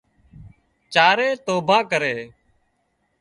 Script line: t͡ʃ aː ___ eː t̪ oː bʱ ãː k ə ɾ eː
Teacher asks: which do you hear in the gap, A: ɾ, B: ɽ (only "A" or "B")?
A